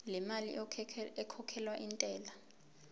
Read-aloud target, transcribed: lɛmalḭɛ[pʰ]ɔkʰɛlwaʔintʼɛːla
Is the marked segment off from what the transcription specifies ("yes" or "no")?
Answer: yes